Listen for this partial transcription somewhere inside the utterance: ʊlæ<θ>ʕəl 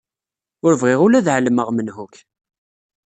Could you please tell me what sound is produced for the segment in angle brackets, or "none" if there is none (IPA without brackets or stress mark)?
ð